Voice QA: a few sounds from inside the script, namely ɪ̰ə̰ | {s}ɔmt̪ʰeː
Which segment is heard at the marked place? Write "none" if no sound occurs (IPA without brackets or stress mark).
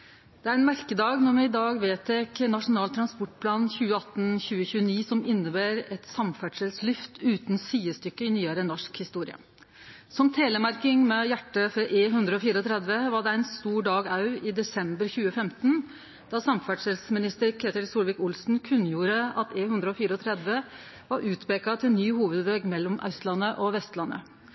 s